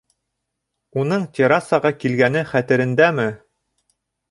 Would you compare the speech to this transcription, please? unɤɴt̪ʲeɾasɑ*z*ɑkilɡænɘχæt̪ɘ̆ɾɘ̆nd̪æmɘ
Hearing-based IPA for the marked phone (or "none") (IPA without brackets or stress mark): ʁ